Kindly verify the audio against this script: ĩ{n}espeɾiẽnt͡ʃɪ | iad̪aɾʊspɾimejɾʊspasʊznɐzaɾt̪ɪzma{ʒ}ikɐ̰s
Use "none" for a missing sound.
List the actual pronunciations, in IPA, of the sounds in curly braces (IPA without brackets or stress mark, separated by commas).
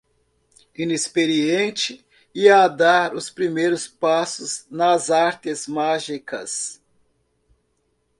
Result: n, ʒ